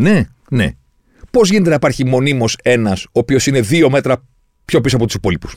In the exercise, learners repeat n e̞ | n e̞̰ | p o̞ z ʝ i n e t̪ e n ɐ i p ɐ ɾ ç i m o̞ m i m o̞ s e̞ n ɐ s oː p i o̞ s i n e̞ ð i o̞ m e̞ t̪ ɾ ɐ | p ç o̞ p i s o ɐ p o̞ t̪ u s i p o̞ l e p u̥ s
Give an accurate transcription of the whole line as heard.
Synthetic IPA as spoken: n e̞ | n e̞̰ | p o̞ z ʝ i n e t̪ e n ɐ i p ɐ ɾ ç i m o̞ n i m o̞ s e̞ n ɐ s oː p i o̞ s i n e̞ ð i o̞ m e̞ t̪ ɾ ɐ | p ç o̞ p i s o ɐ p o̞ t̪ u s i p o̞ l i p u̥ s